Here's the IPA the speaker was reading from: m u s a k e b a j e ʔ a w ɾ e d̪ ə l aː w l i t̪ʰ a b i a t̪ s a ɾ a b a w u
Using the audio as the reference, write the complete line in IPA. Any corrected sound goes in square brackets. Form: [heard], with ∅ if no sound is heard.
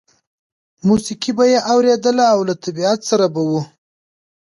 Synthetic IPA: m u s [i] k [i] b a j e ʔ a w ɾ e d̪ ə l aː w l [a] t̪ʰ a b i a t̪ s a ɾ a b a w u